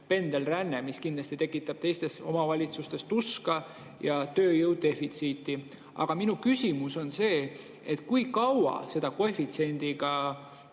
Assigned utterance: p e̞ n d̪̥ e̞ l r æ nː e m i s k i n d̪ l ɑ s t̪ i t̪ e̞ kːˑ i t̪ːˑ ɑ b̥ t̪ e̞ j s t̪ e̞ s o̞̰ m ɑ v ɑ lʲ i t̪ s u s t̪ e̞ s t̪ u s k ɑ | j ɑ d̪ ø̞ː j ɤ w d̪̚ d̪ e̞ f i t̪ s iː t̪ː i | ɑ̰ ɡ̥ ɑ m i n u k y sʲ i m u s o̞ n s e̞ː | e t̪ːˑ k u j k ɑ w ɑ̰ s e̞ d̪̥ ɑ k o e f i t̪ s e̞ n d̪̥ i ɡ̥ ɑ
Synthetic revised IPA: p e̞ n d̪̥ e̞ l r æ nː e m i s k i n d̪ l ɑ s t̪ i t̪ e̞ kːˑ i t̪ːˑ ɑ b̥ t̪ e̞ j s t̪ e̞ s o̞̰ m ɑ v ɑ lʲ i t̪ s u s t̪ e̞ s t̪ u s k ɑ | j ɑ t̪ ø̞ː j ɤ w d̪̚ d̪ e̞ f i t̪ s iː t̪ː i | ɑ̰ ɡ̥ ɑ m i n u k y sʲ i m u s o̞ n s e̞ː | e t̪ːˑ k u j k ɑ w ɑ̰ s e̞ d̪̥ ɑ k o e f i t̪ s e̞ n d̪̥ i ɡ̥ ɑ

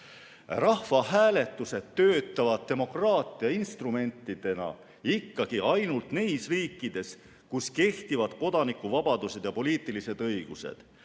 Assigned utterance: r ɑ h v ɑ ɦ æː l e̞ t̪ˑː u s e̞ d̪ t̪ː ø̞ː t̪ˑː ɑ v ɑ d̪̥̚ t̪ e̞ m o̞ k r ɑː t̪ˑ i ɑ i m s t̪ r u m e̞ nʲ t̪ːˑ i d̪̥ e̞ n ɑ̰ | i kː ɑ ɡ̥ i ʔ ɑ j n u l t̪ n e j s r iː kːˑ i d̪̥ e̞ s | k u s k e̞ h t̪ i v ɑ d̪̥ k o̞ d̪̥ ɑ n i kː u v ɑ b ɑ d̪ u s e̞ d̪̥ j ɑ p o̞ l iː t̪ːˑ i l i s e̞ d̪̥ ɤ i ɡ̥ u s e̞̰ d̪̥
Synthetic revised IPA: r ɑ h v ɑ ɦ æː l e̞ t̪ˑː u s e̞ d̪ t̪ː ø̞ː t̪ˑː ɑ v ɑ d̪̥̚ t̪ e̞ m o̞ k r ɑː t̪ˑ i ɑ i n s t̪ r u m e̞ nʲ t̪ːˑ i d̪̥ e̞ n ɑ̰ | i kː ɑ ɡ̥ i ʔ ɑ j n u l t̪ n e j s r iː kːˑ i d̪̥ e̞ s | k u s k e̞ h t̪ i v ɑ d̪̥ k o̞ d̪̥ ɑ n i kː u v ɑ b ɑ d̪ u s e̞ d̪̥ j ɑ p o̞ l iː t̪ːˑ i l i s e̞ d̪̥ ɤ j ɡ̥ u s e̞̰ d̪̥

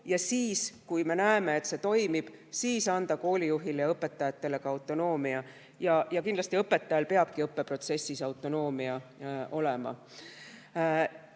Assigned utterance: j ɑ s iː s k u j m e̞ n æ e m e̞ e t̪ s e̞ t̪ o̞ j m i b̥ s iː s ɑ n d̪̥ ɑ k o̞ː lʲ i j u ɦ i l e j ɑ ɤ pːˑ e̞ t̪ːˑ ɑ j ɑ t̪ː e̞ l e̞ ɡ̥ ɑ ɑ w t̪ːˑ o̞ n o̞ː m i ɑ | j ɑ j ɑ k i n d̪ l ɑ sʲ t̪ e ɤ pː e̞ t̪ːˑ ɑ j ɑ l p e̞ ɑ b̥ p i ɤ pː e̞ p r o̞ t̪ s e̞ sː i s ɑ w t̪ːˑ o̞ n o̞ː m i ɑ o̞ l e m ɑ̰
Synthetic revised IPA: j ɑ s iː s k u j m e̞ n æ e m e̞ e t̪ s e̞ t̪ o̞ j m i b̥ s iː s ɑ n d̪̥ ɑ k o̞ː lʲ i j u ɦ i l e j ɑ ɤ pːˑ e̞ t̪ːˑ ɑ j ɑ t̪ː e̞ l e̞ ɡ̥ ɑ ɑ w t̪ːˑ o̞ n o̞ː m i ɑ | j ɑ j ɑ k i n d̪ l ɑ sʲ t̪ i ɤ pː e̞ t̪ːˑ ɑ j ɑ l p e̞ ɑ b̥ k i ɤ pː e̞ p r o̞ t̪ s e̞ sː i s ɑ w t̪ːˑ o̞ n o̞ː m i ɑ o̞ l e m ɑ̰

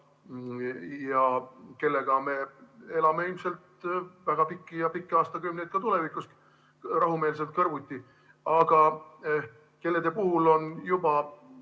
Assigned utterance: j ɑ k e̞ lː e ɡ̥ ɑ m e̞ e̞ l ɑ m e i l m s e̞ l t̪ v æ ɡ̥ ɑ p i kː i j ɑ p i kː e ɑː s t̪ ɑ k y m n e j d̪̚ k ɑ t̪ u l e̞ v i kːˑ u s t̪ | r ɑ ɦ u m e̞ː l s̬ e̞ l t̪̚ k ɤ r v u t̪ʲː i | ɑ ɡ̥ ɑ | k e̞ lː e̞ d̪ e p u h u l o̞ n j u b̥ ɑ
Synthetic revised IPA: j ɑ k e̞ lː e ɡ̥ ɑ m e̞ e̞ l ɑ m e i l m s e̞ l t̪ v æ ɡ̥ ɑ p i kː i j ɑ p i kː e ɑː s t̪ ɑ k y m n e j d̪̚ k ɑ t̪ u l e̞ v i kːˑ u s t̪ | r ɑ ɦ u m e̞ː l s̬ e̞ l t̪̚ k ɤ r v u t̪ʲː i | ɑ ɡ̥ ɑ | k e̞ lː e̞ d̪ e p u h u l o̞ n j u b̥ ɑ

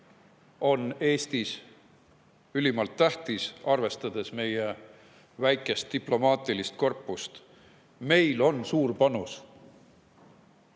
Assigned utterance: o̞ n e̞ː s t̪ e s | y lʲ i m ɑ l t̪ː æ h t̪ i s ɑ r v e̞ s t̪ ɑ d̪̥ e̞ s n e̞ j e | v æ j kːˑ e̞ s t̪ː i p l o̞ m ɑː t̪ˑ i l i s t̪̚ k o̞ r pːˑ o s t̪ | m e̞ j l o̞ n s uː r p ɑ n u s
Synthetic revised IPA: o̞ n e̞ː s t̪ i s | y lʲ i m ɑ l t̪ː æ h t̪ i s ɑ r v e̞ s t̪ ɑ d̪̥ e̞ s m e̞ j e | v æ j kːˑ e̞ s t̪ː i p l o̞ m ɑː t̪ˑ i l i s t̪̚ k o̞ r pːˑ u s t̪ | m e̞ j l o̞ n s uː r p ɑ n u s

